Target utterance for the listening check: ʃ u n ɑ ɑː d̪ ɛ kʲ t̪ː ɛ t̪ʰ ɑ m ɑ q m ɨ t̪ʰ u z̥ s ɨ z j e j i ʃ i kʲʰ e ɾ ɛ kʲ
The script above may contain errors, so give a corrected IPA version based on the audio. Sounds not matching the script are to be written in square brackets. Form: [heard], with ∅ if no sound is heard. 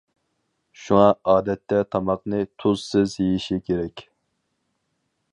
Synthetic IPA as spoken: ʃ u [ŋ] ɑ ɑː d̪ ɛ [∅] t̪ː ɛ t̪ʰ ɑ m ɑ q [n] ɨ t̪ʰ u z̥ s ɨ z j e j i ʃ i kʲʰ e ɾ ɛ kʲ